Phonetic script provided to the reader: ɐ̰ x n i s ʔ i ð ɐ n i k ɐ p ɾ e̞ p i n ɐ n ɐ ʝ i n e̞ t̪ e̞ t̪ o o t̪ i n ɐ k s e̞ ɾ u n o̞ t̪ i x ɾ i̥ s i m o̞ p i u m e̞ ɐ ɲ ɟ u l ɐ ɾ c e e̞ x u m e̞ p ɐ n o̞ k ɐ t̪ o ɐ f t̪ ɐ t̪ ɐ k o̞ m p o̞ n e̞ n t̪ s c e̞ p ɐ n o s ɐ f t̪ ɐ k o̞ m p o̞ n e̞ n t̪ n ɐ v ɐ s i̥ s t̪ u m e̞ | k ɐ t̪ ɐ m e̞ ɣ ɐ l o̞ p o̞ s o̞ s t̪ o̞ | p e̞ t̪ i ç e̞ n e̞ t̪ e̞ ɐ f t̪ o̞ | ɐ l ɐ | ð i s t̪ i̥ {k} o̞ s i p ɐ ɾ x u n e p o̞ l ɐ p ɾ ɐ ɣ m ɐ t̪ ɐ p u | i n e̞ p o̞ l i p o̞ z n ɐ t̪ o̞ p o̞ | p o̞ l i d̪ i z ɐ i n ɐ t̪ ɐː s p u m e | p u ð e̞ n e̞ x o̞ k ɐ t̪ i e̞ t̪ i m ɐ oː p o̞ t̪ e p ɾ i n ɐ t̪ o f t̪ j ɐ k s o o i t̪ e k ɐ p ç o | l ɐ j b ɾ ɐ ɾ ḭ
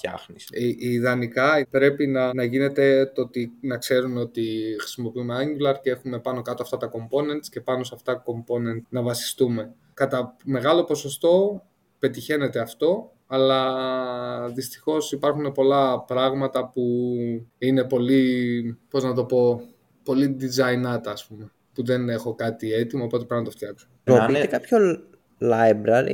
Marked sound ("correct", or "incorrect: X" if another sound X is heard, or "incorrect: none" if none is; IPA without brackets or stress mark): incorrect: x